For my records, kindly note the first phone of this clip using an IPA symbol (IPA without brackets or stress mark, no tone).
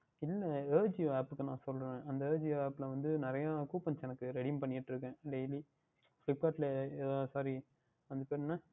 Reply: ɪ